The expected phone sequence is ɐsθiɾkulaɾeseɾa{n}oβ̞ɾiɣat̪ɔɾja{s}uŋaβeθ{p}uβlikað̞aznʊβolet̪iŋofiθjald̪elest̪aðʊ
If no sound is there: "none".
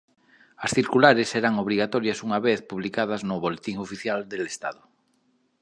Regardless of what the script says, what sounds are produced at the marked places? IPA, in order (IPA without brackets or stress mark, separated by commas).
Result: ŋ, s, p